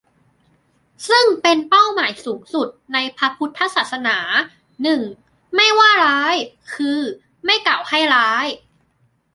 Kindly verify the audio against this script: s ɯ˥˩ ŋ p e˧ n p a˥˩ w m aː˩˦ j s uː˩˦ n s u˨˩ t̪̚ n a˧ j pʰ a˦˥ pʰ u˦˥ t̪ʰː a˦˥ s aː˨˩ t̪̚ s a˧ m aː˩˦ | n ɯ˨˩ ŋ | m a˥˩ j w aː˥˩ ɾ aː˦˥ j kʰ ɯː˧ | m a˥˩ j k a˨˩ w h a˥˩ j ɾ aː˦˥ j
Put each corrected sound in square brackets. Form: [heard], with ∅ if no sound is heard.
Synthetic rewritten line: s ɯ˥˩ ŋ p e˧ n p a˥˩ w m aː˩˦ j s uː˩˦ [ŋ] s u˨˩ t̪̚ n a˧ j pʰ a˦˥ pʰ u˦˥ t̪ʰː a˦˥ s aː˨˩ t̪̚ s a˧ [n] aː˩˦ | n ɯ˨˩ ŋ | m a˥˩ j w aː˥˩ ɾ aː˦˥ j kʰ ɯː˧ | m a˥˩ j k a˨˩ w h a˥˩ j ɾ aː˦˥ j

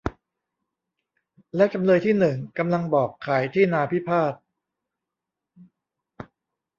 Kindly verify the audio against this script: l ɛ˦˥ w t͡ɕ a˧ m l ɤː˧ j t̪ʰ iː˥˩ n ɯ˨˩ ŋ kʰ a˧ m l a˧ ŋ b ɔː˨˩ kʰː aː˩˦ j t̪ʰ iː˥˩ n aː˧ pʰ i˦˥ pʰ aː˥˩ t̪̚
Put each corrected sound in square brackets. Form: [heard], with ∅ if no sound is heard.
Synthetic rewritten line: l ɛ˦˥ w t͡ɕ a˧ m l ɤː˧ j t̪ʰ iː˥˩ n ɯ˨˩ ŋ [k] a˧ m l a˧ ŋ b ɔː˨˩ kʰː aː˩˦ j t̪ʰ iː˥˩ n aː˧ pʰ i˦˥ pʰ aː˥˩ t̪̚

